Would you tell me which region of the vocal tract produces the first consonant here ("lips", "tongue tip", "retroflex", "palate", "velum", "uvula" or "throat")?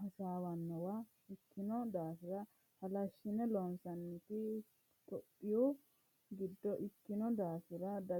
tongue tip